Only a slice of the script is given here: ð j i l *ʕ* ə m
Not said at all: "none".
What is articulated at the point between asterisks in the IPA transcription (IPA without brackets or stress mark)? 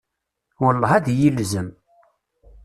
z